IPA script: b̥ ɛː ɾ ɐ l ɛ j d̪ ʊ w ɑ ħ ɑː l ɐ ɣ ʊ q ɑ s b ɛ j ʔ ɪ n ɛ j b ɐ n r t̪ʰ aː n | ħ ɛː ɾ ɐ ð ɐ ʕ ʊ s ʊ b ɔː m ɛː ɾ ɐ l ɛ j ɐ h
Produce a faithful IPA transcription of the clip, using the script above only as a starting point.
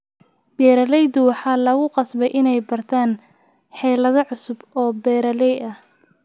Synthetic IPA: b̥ ɛː ɾ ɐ l ɛ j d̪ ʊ w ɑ ħ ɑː l ɐ ɣ ʊ q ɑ s b ɛ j ʔ ɪ n ɛ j b ɐ r t̪ʰ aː n | ħ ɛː l ɐ ð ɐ ʕ ʊ s ʊ b ɔː b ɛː ɾ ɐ l ɛ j ɐ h